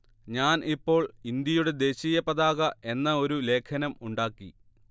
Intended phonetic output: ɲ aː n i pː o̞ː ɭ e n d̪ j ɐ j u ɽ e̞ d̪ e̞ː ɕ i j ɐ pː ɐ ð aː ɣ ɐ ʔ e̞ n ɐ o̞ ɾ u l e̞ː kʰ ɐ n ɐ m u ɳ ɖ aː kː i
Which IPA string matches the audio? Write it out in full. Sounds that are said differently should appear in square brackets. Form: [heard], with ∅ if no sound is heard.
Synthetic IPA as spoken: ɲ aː n i pː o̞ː ɭ [i] n d̪ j ɐ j u ɽ e̞ d̪ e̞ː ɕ i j ɐ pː ɐ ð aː ɣ ɐ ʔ e̞ [nː] ɐ o̞ ɾ u l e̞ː kʰ ɐ n ɐ m u ɳ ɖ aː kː i